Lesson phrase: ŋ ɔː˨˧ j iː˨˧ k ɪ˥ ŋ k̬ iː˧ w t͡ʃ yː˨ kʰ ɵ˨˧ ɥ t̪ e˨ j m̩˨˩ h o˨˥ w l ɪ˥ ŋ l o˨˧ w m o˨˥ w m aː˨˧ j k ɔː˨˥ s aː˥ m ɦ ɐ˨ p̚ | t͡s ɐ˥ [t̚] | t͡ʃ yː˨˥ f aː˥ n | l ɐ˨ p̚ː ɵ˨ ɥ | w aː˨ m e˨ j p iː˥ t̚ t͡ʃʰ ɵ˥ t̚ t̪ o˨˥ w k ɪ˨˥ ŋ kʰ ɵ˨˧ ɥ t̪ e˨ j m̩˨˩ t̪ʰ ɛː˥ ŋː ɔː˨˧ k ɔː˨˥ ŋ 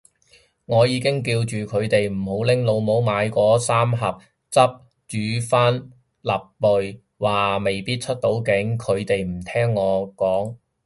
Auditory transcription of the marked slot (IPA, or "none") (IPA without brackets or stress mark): p̚